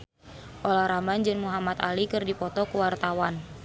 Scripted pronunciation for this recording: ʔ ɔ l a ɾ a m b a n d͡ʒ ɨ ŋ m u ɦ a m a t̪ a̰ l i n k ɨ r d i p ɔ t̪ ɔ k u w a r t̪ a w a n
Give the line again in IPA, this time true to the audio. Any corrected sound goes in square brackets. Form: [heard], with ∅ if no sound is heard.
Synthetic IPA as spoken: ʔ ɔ l a ɾ a m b a n d͡ʒ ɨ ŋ m u ɦ a m a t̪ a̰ l i [∅] k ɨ r d i p ɔ t̪ ɔ k u w a r t̪ a w a n